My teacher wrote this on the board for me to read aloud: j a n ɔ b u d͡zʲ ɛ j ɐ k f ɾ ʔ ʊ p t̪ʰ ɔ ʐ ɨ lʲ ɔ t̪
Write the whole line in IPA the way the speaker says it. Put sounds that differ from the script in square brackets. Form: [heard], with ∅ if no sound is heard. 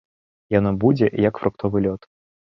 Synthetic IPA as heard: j a n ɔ b u d͡zʲ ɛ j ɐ k f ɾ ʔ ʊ [k] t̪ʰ ɔ [v] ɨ lʲ ɔ t̪